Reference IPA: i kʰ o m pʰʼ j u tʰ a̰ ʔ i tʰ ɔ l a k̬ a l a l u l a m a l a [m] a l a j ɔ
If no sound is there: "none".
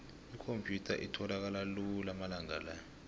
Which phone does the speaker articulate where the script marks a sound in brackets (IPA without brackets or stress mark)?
ŋ